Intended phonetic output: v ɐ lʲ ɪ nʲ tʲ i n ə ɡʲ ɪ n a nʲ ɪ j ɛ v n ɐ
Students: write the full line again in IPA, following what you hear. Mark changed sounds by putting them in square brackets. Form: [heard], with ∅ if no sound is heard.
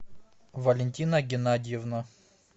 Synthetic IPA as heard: v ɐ lʲ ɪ nʲ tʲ i n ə ɡʲ ɪ n a [dʲ] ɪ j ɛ v n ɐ